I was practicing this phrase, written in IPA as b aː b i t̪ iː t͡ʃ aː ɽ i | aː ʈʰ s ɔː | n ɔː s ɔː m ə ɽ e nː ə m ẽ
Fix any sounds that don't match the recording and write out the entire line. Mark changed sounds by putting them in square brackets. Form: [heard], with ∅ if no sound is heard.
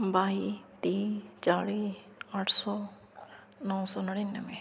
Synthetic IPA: b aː [∅] i t̪ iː t͡ʃ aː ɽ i | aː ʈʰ s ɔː | n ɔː s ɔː [n] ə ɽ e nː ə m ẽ